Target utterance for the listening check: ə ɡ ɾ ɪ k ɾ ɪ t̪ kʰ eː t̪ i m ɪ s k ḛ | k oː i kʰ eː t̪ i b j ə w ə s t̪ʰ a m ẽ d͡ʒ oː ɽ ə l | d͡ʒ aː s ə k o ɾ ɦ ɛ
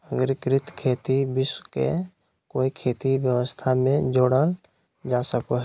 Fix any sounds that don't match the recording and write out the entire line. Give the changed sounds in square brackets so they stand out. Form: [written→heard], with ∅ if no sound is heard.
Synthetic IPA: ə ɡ ɾ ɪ k ɾ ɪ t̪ kʰ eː t̪ i [m→b] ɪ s k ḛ | k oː i kʰ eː t̪ i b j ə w ə s t̪ʰ a m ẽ d͡ʒ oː ɽ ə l | d͡ʒ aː s ə k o [ɾ→∅] ɦ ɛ